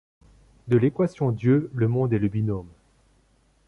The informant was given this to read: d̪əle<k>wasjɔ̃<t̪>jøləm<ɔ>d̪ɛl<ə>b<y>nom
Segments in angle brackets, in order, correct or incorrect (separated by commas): correct, incorrect, incorrect, correct, incorrect